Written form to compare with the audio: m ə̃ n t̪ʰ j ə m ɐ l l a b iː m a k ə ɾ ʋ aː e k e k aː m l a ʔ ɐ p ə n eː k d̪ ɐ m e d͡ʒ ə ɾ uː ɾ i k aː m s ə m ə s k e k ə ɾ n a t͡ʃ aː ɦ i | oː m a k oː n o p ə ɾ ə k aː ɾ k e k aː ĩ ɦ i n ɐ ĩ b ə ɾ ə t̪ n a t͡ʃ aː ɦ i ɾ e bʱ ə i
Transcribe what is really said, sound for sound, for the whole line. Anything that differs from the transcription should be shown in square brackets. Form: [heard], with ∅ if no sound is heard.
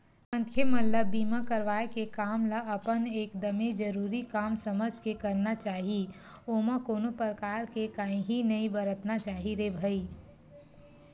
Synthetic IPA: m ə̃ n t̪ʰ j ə m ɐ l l [ə] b iː m a k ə ɾ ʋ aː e k e k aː m l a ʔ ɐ p ə n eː k d̪ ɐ m e d͡ʒ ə ɾ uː ɾ i k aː m s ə m ə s k e k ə ɾ n a t͡ʃ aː ɦ i | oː m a k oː n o p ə ɾ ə k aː ɾ k e k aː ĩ ɦ i n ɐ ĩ b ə ɾ ə t̪ n a t͡ʃ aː ɦ i ɾ e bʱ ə i